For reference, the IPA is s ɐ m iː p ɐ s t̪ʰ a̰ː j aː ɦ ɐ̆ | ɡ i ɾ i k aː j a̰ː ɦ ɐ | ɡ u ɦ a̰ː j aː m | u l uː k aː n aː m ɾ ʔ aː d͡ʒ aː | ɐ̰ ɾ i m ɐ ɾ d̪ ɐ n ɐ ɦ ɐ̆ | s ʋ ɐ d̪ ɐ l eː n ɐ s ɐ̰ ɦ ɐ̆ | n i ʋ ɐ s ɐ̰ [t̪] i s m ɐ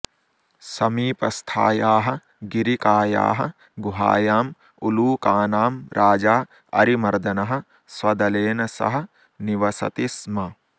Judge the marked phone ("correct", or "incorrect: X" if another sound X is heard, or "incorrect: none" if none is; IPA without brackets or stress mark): correct